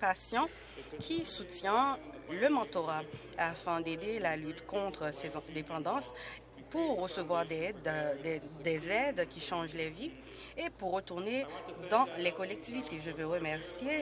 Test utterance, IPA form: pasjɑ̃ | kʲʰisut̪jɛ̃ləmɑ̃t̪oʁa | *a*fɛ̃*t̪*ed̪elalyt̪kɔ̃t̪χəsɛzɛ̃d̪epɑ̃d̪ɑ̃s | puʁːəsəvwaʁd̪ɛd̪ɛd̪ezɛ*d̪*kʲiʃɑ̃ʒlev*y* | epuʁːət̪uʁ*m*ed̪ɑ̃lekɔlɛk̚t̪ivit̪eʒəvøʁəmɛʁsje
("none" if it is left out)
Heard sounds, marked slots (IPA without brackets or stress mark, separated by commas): a, d̪, d̪, i, n